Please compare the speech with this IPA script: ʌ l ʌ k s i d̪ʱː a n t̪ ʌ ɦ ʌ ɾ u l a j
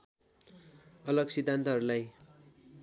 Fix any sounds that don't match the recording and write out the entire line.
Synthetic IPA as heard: ʌ l ʌ ɡ s i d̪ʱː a n t̪ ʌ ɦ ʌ ɾ u l a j